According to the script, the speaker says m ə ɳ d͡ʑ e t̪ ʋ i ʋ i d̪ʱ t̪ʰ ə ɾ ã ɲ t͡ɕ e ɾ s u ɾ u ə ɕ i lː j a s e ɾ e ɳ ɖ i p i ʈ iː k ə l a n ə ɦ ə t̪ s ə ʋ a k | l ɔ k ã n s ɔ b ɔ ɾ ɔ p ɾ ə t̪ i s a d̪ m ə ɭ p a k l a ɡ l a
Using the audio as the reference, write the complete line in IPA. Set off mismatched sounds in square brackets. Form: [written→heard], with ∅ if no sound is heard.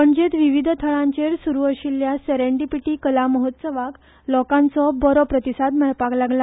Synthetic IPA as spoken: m ə ɳ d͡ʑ e t̪ ʋ i ʋ i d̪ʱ t̪ʰ ə [ɾ→ɭ] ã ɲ t͡ɕ e ɾ s u ɾ u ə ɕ i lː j a s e ɾ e ɳ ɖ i p i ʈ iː k ə l a [n→m] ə ɦ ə t̪ s ə ʋ a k | l ɔ k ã n [s→t͡s] ɔ b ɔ ɾ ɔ p ɾ ə t̪ i s a d̪ m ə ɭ p a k l a ɡ l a